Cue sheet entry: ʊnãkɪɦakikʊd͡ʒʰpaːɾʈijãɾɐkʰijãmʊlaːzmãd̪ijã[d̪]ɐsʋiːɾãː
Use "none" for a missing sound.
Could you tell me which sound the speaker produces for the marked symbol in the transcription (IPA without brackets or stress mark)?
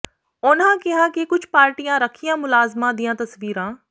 t̪